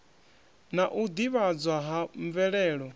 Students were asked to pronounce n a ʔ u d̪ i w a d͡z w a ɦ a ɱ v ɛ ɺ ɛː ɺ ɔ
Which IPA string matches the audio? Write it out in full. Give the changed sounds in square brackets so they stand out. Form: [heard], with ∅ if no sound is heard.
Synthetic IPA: n a ʔ u d̪ i [β] a d͡z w a ɦ a ɱ v ɛ ɺ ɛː ɺ ɔ